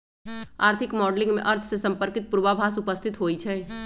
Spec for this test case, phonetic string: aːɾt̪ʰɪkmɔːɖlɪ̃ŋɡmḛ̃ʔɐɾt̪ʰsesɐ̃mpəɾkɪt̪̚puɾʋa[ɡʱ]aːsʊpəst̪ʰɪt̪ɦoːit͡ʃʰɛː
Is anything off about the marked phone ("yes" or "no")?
yes